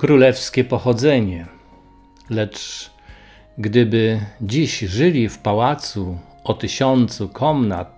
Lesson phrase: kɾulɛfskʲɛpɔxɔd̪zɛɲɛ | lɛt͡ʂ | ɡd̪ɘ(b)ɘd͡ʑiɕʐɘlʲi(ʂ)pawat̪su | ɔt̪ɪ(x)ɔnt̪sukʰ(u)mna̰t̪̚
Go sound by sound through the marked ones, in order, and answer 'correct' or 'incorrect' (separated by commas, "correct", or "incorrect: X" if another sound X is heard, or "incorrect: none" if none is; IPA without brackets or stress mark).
correct, incorrect: f, incorrect: ɕ, incorrect: ɔ